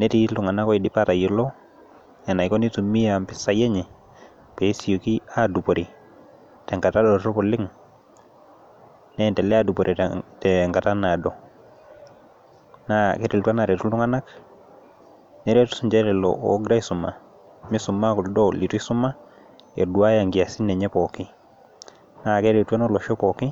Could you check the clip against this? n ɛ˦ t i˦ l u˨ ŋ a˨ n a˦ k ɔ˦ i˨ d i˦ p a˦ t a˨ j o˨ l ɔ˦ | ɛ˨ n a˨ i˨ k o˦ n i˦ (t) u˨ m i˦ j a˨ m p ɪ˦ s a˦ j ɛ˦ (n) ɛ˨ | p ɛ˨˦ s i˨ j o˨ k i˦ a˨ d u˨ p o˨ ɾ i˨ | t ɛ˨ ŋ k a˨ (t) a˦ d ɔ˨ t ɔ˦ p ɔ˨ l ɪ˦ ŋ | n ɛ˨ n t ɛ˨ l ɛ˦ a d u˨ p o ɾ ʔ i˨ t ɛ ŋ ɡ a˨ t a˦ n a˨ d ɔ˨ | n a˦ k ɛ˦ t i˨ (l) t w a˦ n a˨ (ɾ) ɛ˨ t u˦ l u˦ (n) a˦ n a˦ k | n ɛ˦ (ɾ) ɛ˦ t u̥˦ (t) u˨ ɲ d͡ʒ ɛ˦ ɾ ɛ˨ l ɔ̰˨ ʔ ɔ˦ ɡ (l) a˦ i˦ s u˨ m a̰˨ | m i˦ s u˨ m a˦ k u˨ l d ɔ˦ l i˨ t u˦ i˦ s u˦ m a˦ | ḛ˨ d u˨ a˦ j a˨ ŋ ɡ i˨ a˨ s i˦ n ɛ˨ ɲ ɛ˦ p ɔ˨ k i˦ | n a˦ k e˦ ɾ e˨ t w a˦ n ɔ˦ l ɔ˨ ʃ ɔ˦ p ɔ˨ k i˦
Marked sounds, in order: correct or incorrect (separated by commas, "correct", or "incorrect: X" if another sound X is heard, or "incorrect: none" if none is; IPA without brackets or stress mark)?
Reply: correct, incorrect: ɲ, correct, correct, correct, incorrect: ŋ, correct, incorrect: s, incorrect: ɾ